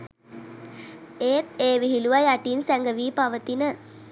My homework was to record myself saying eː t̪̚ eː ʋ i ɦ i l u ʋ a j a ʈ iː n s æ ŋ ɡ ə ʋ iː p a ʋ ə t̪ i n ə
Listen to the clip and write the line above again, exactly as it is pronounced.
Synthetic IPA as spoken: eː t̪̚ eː ʋ i ɦ i l u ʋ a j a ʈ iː n s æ ŋ ɡ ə ʋ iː p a ʋ ə t̪ i n ə

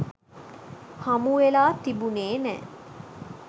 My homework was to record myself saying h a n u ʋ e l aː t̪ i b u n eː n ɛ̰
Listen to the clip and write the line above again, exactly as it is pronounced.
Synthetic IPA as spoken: h a m u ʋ e l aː t̪ i b u n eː n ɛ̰

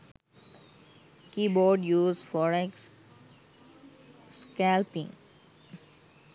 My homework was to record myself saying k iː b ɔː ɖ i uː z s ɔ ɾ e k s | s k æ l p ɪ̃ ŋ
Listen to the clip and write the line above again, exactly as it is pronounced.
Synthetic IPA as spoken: k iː b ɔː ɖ j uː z f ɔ ɾ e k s | s k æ l p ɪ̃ ŋ

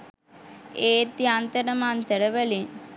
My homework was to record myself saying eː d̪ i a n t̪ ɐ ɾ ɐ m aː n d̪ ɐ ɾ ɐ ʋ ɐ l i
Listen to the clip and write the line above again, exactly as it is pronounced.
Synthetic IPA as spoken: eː t̪ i a n t̪ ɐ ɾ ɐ m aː n t̪ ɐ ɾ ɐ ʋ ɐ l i

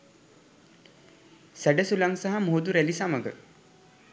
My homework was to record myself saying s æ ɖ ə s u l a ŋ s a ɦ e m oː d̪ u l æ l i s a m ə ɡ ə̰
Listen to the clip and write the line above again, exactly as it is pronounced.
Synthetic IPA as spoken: s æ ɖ ə s u l a ŋ s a ɦ a m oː d̪ u ɾ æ l i s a m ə ɡ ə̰

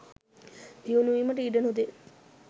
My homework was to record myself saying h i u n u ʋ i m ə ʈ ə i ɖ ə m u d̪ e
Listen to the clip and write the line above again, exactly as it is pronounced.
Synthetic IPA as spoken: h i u n u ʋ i m ə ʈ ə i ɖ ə n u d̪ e

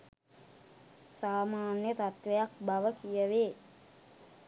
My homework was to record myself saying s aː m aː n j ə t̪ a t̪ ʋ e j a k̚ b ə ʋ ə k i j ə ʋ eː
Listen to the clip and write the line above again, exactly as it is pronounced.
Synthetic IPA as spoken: s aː m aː n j ə t̪ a t̪ ʋ e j a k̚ b a ʋ ə k i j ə ʋ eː

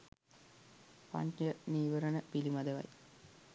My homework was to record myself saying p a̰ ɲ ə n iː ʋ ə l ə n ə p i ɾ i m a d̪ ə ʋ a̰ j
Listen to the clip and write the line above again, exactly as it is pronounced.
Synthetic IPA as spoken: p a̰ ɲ ə n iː ʋ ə ɾ ə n ə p i l i m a d̪ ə ʋ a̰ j

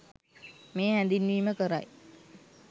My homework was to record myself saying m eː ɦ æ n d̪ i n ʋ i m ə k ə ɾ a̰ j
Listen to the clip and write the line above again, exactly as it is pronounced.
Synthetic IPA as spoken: m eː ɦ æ n d̪ i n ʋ iː m ə k ə ɾ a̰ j

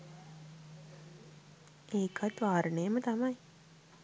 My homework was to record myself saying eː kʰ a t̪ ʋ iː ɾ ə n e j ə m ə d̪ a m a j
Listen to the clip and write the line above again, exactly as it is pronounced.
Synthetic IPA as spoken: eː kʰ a t̪ ʋ aː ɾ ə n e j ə m ə t̪ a m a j

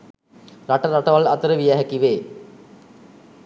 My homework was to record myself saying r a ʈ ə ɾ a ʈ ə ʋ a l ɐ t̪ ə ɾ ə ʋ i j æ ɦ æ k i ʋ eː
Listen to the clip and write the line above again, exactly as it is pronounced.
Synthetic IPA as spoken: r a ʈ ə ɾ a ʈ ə ʋ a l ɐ t̪ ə ɾ ə ʋ i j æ ɦ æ k i ʋ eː

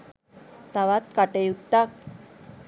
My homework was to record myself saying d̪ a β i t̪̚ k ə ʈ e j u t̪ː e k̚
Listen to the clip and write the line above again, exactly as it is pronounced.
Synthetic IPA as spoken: t̪ a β a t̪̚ k a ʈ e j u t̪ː a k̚

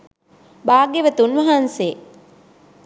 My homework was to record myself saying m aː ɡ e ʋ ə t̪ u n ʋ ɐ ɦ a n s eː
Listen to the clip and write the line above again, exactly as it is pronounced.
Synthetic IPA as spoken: b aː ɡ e ʋ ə t̪ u n ʋ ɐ ɦ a n s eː

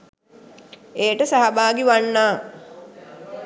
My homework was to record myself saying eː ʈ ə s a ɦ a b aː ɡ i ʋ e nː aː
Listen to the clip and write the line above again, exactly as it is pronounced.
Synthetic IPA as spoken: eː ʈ ə s a ɦ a b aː ɡ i ʋ a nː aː

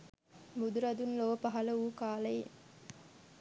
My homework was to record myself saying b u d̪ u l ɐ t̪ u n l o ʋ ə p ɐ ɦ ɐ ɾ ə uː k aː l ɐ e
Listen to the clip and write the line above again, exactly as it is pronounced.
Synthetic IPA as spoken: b u d̪ u ɾ ɐ d̪ u n l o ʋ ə p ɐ ɦ ɐ l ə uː k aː l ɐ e

